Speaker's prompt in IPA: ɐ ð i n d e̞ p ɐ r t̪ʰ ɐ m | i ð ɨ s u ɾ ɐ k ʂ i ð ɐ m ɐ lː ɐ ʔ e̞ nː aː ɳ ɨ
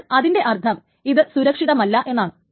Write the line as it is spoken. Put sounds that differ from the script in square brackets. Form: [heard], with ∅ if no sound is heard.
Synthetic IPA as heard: ɐ ð i n d e̞ [ʔ] ɐ r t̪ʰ ɐ m | i ð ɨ s u ɾ ɐ k ʂ i ð ɐ m ɐ lː ɐ ʔ e̞ nː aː ɳ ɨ